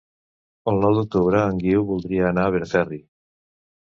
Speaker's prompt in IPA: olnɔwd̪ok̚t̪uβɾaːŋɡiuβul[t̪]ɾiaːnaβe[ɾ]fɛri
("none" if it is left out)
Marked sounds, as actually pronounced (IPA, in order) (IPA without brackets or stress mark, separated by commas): d̪, ɾ